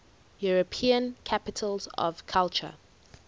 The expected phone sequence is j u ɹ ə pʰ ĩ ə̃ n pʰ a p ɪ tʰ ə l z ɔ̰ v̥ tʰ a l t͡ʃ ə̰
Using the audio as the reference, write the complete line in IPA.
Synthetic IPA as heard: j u ɹ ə pʰ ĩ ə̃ n kʰ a p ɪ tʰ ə l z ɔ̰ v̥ kʰ a l t͡ʃ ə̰